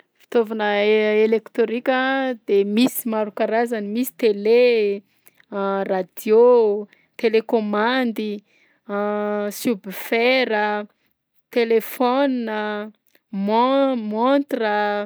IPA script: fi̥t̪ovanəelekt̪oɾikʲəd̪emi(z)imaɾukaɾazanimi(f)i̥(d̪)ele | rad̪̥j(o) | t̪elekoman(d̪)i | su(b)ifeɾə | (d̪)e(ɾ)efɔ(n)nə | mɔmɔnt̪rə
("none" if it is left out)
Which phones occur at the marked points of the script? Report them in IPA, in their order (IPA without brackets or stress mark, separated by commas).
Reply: s, s, t̪, o, d̪, b, t̪, l, n